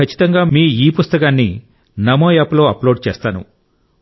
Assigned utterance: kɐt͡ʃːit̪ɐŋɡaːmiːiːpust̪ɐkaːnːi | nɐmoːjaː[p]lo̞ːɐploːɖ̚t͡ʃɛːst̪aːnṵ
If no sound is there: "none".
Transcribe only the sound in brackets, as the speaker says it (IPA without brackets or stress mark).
p